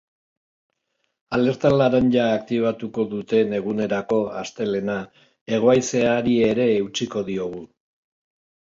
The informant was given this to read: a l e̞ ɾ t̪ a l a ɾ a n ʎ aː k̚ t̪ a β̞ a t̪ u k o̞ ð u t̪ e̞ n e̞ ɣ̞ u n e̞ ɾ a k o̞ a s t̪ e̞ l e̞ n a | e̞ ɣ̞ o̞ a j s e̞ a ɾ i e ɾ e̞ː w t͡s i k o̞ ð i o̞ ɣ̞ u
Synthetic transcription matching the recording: a l e̞ ɾ t̪ a l a ɾ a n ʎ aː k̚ t̪ i β̞ a t̪ u k o̞ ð u t̪ e̞ n e̞ ɣ̞ u n e̞ ɾ a k o̞ a s t̪ e̞ l e̞ n a | e̞ ɣ̞ o̞ a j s e̞ a ɾ i e ɾ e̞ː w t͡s i k o̞ ð i o̞ ɣ̞ u